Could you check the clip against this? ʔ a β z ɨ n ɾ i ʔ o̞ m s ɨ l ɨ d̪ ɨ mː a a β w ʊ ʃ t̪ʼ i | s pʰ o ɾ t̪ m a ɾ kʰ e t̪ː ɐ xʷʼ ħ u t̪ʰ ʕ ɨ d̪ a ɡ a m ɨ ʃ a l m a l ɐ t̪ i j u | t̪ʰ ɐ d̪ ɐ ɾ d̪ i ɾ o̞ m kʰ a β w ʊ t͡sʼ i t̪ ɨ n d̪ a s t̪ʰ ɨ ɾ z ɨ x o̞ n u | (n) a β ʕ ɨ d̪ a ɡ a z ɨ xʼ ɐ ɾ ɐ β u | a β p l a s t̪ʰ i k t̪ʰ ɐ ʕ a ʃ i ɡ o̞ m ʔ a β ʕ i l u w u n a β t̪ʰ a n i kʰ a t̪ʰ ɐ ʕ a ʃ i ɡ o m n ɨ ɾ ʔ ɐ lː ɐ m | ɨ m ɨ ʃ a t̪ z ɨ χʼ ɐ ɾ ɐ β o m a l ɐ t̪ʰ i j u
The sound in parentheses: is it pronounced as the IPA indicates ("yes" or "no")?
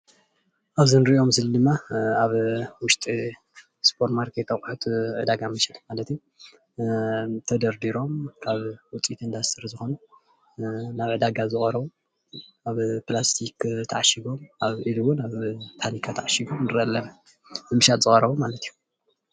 yes